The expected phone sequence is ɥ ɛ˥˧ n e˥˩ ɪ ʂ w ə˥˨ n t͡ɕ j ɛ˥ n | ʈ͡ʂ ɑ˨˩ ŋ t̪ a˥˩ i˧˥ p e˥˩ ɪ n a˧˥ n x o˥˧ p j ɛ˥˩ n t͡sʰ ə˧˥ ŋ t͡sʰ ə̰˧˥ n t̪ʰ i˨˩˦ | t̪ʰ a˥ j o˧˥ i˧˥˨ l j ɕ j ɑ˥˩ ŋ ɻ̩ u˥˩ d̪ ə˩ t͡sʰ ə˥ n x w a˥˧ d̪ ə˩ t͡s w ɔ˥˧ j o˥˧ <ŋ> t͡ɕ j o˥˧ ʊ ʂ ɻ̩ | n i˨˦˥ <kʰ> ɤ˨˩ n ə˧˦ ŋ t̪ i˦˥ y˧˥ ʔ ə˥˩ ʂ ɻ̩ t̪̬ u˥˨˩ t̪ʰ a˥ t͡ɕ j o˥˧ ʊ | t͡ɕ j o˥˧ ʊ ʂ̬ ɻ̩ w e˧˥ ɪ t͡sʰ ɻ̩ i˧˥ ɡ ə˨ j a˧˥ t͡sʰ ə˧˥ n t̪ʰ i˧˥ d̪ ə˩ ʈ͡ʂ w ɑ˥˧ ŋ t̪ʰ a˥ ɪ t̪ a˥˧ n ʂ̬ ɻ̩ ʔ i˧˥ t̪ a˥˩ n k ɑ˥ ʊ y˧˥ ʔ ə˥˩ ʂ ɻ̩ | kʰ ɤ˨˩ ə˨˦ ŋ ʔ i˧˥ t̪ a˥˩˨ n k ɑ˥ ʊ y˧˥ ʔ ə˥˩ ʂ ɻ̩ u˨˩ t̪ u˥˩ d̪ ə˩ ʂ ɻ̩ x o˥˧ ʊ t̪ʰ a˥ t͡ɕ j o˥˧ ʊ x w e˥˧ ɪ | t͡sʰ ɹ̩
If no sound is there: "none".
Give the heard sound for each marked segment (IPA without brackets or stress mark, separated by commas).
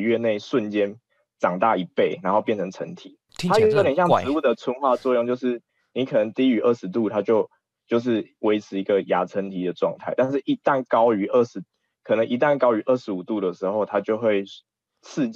ŋ, kʰ